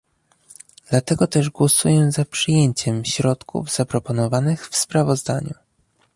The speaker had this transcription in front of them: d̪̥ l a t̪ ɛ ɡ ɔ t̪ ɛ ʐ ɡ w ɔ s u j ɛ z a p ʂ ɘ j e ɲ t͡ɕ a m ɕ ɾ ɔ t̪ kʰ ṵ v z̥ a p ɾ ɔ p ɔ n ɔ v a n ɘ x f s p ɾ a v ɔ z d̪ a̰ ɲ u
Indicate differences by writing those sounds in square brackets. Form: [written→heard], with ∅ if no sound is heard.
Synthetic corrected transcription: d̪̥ l a t̪ ɛ ɡ ɔ t̪ ɛ ʐ ɡ w ɔ s u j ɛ z a p ʂ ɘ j e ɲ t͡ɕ [a→ɛ] m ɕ ɾ ɔ t̪ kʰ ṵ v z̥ a p ɾ ɔ p ɔ n ɔ v a n ɘ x f s p ɾ a v ɔ z d̪ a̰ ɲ u